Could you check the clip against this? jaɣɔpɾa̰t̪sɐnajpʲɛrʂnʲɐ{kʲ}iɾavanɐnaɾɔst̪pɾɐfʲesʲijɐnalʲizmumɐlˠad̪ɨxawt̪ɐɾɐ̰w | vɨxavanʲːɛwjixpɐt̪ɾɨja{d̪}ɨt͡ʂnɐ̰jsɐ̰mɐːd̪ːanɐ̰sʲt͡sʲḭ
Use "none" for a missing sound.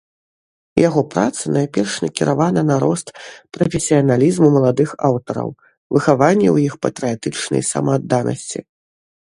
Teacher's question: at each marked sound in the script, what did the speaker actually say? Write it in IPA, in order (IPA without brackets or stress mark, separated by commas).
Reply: kʲ, t̪